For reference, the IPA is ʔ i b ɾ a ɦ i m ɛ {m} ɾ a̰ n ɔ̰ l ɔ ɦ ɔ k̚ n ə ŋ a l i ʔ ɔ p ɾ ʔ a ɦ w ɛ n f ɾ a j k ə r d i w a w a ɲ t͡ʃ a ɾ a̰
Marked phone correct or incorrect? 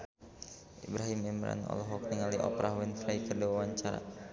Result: correct